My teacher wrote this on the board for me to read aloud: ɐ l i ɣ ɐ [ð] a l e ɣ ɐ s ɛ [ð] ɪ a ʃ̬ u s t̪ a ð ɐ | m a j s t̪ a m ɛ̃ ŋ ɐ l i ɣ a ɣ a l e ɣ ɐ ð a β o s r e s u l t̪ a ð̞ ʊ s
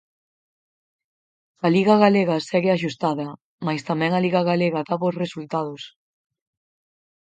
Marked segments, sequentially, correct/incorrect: incorrect, incorrect

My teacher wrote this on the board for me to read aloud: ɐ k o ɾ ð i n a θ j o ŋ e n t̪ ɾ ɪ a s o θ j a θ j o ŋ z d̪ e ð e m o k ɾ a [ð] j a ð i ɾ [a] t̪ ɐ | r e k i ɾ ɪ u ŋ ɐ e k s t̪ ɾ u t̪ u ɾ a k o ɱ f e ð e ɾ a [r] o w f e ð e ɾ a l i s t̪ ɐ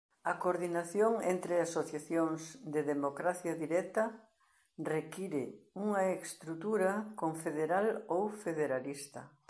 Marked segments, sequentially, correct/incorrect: incorrect, incorrect, incorrect

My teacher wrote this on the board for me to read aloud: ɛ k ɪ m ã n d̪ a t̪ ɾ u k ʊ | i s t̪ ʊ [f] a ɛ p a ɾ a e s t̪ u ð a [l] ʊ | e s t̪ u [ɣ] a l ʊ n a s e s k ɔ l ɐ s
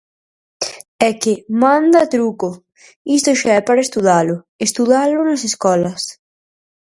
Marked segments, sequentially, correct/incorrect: incorrect, correct, incorrect

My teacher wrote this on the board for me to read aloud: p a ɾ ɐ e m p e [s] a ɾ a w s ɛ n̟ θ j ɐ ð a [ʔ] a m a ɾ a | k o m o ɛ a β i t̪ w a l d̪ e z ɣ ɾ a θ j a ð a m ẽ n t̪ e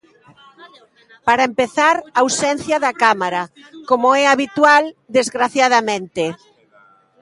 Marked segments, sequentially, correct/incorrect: incorrect, incorrect

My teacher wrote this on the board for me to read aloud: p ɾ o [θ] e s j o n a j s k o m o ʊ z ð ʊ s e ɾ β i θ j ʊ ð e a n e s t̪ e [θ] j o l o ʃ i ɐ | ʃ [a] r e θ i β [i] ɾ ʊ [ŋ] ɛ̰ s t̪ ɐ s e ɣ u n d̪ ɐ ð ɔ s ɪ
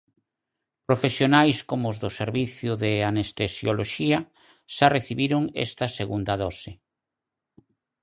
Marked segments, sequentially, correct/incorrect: incorrect, incorrect, correct, correct, correct

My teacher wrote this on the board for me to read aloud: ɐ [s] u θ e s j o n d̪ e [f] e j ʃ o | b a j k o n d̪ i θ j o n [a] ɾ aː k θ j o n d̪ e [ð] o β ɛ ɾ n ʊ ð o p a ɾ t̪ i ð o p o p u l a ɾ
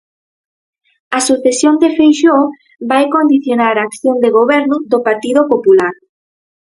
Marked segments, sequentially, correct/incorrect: correct, correct, correct, incorrect

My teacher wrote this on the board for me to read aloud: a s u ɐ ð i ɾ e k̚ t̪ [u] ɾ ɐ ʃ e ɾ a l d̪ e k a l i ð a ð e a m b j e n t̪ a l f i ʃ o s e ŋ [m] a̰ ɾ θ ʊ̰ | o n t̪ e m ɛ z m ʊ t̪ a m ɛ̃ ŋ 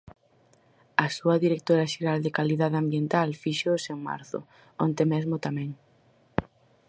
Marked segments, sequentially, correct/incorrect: incorrect, correct

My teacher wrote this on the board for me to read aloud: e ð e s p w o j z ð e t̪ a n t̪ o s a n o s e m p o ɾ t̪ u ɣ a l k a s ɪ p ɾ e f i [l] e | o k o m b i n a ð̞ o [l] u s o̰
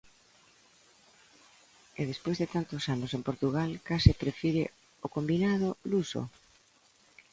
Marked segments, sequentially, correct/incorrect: incorrect, correct

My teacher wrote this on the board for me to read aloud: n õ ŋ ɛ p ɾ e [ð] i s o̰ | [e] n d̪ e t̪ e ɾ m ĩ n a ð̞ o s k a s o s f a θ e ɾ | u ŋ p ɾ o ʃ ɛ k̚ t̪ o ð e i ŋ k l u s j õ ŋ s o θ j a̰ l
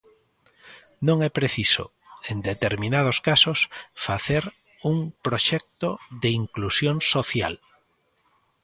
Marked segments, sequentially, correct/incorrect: incorrect, correct

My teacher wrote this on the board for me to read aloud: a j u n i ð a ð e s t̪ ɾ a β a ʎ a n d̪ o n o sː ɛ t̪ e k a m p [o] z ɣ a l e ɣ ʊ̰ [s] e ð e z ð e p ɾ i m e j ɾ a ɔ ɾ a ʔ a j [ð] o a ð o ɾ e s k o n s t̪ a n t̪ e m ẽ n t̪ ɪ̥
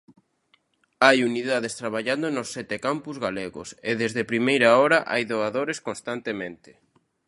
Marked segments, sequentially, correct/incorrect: incorrect, correct, correct

